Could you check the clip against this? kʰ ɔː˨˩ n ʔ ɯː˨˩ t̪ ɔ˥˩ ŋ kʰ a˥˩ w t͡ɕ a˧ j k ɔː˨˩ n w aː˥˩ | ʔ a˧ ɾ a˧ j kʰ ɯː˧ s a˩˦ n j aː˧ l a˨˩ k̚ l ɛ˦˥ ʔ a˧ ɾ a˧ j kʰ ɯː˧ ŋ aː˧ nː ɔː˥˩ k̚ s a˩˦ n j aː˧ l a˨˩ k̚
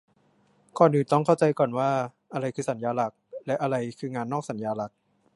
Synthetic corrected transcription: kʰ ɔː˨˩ n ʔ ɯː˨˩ t̪ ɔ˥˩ ŋ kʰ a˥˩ w t͡ɕ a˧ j k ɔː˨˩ n w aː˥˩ | ʔ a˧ ɾ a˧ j kʰ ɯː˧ s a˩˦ n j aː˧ l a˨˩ k̚ l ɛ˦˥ ʔ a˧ ɾ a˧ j kʰ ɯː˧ ŋ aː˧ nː ɔː˥˩ k̚ s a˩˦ n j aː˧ l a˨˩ k̚